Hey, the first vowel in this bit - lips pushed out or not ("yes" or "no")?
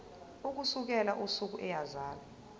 yes